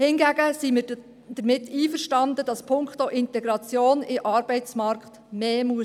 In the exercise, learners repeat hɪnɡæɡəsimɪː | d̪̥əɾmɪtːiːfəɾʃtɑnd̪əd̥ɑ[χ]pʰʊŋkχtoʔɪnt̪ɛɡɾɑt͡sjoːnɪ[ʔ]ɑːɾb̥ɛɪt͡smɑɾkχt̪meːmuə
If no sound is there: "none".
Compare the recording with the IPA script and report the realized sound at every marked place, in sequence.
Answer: s, ʔ

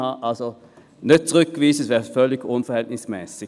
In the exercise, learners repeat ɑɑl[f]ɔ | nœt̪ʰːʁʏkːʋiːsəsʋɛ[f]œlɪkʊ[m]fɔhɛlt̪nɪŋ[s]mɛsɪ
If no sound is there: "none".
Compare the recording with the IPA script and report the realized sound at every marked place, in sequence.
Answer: s, f, n, s

